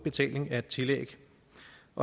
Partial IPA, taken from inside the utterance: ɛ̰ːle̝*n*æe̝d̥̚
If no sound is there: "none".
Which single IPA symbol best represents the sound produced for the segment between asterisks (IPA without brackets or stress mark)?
ŋ